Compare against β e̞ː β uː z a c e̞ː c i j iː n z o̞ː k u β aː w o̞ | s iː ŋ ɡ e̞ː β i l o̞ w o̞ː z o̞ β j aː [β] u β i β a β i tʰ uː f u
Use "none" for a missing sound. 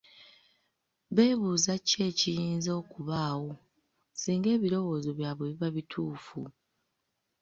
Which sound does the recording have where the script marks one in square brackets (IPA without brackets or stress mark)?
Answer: β